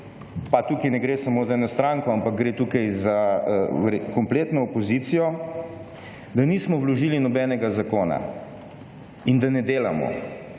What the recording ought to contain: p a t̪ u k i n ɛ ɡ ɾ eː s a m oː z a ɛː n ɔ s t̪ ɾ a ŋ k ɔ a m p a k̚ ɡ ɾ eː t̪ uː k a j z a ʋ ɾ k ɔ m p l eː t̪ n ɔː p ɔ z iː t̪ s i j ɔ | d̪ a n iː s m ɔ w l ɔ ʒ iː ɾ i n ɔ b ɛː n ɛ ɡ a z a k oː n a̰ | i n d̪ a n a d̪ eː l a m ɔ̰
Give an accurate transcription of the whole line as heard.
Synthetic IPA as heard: p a t̪ u k i n ɛ ɡ ɾ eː s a m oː z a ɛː n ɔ s t̪ ɾ a ŋ k ɔ a m p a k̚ ɡ ɾ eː t̪ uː k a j z a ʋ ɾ k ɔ m p l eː t̪ n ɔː p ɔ z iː t̪ s i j ɔ | d̪ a n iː s m ɔ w l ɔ ʒ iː l i n ɔ b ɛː n ɛ ɡ a z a k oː n a̰ | i n d̪ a n ɛ d̪ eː l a m ɔ̰